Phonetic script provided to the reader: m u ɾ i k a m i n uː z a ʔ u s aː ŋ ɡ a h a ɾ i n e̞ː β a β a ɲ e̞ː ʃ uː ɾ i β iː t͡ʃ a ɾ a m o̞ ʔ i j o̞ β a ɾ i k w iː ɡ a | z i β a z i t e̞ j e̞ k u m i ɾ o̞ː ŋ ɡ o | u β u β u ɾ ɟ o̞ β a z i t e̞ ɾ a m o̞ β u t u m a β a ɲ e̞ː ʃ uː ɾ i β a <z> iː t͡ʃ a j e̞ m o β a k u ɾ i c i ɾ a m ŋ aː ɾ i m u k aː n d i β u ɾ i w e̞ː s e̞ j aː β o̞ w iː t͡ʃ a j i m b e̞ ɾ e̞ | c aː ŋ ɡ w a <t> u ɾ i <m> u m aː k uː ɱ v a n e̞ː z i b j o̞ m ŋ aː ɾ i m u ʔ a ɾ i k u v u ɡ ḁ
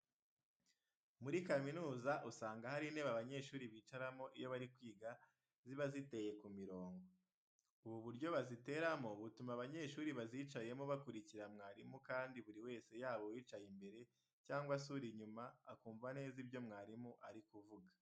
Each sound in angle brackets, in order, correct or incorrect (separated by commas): correct, incorrect, incorrect